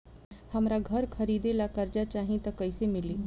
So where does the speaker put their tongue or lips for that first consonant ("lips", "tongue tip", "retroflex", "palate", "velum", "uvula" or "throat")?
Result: throat